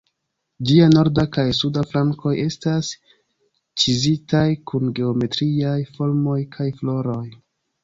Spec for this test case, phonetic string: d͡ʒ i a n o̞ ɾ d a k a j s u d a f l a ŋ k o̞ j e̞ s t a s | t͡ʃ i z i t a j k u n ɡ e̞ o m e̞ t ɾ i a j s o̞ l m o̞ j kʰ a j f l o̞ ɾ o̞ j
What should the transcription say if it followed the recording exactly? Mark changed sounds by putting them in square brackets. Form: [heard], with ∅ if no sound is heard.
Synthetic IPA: d͡ʒ i a n o̞ ɾ d a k a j s u d a f l a ŋ k o̞ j e̞ s t a s | t͡ʃ i z i t a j k u n ɡ e̞ o m e̞ t ɾ i a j [f] o̞ l m o̞ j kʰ a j f l o̞ ɾ o̞ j

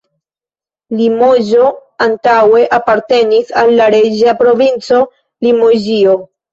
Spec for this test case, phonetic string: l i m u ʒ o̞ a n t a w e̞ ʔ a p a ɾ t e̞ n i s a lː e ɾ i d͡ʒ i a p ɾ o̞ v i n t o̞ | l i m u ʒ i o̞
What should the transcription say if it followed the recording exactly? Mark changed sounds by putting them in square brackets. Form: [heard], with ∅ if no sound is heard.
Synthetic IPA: l i m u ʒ o̞ a n t a w e̞ ʔ a p a ɾ t e̞ n i s a lː [a] ɾ [e] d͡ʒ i a p ɾ o̞ v i n [t͡s] o̞ | l i m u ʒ i o̞

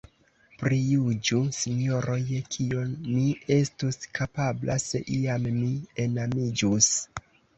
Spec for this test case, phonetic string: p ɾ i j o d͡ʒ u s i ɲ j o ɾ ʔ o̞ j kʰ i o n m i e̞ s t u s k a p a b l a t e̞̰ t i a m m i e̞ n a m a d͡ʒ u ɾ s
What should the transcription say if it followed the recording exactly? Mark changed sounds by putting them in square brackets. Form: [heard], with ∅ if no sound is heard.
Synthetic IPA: p ɾ i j [u] d͡ʒ u s i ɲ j o ɾ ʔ o̞ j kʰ i o n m i e̞ s t u s k a p a b l a [s] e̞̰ [ʔ] i a m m i e̞ n a m [i] d͡ʒ u [∅] s

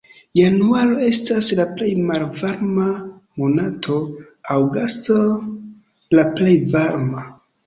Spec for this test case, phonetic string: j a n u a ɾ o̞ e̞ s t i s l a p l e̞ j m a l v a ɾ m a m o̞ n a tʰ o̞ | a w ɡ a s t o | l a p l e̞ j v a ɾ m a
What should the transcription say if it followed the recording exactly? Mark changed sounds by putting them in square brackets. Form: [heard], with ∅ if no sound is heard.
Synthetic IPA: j a n u a ɾ o̞ e̞ s t [a] s l a p l e̞ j m a l v a ɾ m a m o̞ n a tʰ o̞ | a w ɡ a s t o | l a p l e̞ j v a ɾ m a

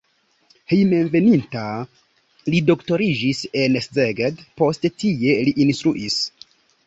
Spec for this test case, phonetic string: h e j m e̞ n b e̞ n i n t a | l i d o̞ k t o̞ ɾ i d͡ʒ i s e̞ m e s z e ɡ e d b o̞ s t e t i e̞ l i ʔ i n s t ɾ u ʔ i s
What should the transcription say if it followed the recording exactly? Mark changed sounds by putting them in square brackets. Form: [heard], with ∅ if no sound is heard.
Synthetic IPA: h e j m e̞ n [v] e̞ n i n t a | l i d o̞ k t o̞ ɾ i d͡ʒ i s e̞ [n] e s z e ɡ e d [p] o̞ s t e t i e̞ l i ʔ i n s t ɾ u ʔ i s

